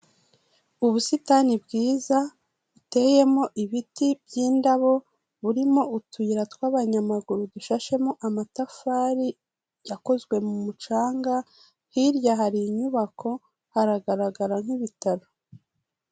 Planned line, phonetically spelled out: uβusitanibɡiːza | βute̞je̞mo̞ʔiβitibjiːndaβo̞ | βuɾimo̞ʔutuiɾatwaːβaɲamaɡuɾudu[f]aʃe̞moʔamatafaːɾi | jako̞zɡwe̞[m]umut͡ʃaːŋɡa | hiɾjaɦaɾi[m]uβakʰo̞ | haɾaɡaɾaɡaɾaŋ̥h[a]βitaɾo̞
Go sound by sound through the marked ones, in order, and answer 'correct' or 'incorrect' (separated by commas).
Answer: incorrect, correct, incorrect, incorrect